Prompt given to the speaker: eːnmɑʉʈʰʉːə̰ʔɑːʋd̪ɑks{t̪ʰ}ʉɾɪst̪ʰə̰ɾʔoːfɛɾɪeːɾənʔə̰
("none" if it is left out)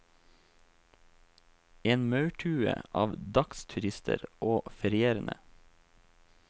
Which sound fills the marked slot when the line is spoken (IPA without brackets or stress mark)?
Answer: t̪ʰ